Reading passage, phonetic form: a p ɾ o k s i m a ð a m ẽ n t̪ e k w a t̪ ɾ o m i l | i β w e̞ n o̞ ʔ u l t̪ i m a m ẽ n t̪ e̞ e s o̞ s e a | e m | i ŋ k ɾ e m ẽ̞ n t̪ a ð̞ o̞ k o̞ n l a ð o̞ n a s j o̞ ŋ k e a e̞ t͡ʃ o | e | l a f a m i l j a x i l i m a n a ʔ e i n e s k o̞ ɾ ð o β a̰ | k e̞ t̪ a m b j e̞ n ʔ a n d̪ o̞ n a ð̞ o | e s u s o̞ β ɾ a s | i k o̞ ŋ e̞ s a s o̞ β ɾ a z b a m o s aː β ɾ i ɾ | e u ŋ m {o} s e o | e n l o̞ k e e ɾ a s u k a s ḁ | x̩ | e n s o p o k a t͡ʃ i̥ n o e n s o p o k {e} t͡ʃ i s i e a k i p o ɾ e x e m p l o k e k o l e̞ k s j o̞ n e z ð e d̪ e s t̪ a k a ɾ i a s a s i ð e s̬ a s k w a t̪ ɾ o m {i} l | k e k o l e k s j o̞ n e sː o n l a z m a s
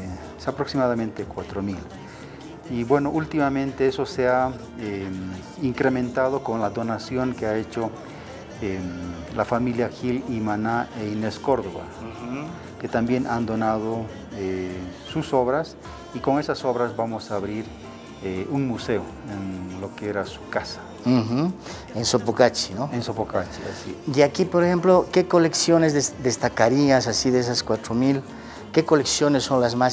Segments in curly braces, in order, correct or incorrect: incorrect: u, incorrect: a, correct

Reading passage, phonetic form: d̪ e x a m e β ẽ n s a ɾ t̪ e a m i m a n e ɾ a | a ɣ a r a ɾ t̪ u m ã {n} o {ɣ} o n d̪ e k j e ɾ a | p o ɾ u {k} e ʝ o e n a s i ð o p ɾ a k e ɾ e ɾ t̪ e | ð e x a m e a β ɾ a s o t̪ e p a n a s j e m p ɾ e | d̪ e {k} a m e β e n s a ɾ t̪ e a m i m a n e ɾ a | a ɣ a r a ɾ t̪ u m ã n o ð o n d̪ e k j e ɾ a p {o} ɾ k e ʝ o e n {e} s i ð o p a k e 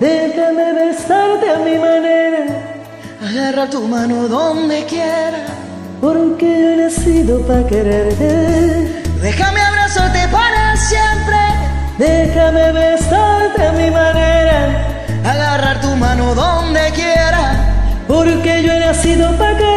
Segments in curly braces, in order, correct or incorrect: correct, incorrect: ð, correct, incorrect: x, correct, incorrect: a

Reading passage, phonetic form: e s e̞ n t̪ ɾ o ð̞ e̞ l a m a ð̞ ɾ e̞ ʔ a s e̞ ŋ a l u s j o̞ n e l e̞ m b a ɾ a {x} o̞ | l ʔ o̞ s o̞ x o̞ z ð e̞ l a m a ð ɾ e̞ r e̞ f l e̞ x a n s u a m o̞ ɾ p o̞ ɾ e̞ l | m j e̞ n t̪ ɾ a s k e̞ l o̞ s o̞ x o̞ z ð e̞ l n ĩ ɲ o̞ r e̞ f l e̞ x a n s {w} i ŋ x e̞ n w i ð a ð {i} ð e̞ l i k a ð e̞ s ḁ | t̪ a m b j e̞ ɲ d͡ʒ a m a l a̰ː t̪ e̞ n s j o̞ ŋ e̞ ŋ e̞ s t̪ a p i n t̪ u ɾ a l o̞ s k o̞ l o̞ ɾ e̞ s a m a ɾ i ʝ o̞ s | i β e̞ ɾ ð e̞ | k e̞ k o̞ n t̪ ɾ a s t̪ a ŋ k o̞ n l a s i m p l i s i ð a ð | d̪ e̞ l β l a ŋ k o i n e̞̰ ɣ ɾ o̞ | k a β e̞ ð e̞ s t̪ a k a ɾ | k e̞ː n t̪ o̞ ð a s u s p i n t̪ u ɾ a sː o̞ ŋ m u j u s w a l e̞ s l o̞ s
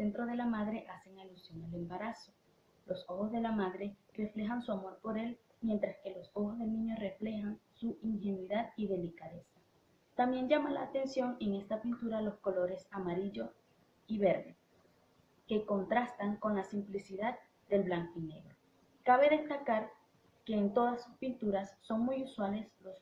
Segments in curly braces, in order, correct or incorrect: incorrect: s, incorrect: u, correct

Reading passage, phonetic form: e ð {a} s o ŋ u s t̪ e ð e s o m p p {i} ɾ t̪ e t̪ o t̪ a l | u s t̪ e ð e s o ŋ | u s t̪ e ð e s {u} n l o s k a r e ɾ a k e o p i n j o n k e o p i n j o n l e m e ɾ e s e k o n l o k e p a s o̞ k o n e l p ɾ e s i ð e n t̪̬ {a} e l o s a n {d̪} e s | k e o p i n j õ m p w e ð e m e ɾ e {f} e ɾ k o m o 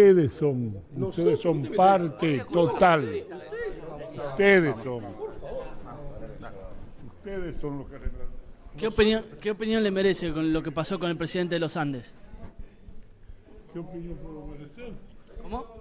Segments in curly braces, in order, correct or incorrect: incorrect: e, incorrect: a, incorrect: o, incorrect: e, correct, incorrect: s

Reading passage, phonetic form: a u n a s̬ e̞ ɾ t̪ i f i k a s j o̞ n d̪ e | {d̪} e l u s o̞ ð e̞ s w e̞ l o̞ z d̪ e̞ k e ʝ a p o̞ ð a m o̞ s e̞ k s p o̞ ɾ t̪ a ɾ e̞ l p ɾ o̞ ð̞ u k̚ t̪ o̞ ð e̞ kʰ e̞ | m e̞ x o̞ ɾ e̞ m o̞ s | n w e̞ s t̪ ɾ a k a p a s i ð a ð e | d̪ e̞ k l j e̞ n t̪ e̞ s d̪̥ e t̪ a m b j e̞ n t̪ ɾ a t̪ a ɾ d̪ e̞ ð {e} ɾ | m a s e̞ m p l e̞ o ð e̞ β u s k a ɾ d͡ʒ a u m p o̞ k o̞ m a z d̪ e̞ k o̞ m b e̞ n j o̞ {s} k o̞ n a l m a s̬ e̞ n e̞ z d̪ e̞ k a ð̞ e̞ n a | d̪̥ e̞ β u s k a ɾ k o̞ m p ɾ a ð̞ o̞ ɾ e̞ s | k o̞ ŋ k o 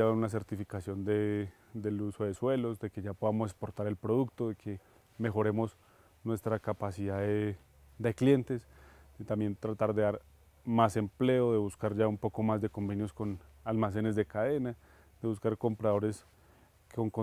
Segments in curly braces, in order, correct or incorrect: correct, incorrect: a, correct

